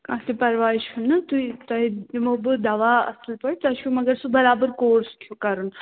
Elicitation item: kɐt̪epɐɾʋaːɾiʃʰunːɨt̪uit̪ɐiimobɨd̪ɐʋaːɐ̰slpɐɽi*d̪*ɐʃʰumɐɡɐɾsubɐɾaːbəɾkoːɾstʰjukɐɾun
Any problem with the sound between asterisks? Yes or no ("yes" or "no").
yes